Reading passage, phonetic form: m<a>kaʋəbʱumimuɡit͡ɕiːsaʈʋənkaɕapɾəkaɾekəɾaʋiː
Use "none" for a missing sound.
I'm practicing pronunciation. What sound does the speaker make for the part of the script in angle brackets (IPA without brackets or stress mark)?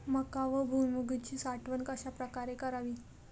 ə